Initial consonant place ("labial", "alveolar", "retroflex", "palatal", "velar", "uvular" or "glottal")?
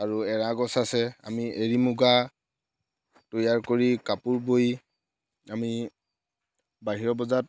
alveolar